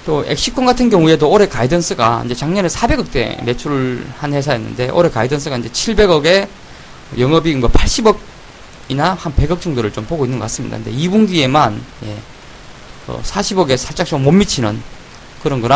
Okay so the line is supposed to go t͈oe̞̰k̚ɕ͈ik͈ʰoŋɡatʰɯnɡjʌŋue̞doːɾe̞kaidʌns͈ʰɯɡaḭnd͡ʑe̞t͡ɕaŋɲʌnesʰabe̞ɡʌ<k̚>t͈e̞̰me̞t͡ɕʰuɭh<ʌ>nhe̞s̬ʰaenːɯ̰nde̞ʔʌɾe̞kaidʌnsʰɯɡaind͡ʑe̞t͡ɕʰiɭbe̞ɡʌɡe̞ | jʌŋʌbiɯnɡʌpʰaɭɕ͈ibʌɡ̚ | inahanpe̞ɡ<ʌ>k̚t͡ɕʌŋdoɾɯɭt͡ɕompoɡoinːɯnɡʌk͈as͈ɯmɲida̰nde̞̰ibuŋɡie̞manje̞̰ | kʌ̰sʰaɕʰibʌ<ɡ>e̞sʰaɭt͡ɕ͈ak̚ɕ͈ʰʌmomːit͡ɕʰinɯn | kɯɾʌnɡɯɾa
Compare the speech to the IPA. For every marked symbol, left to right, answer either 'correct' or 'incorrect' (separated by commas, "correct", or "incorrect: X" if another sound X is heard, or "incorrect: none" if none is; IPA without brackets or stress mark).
correct, incorrect: a, correct, correct